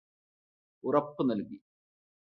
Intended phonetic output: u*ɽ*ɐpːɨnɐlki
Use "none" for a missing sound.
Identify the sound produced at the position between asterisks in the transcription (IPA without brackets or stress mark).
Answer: r